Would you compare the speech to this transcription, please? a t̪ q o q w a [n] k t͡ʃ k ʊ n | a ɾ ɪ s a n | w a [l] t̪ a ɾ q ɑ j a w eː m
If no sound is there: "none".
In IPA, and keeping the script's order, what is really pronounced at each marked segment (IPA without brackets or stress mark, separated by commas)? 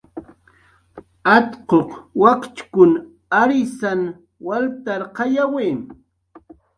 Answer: none, l